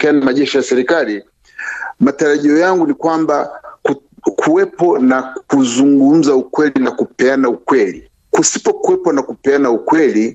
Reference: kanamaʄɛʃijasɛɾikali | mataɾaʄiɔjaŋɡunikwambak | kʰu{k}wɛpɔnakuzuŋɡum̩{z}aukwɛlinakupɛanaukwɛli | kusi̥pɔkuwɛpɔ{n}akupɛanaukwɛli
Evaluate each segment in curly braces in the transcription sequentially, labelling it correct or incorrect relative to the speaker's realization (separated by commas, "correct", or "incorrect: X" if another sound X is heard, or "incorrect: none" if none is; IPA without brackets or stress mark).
incorrect: none, correct, correct